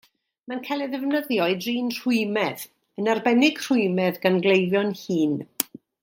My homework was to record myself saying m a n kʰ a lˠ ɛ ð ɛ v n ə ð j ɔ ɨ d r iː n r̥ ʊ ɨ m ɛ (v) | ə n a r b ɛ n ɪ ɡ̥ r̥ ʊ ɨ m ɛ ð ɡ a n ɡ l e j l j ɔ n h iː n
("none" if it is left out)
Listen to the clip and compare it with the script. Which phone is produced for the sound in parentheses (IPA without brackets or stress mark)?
ð